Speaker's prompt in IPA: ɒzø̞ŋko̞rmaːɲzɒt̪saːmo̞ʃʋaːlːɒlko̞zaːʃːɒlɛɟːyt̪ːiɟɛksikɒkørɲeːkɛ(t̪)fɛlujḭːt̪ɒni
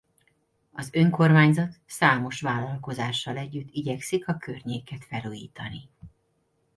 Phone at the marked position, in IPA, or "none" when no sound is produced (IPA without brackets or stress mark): t̪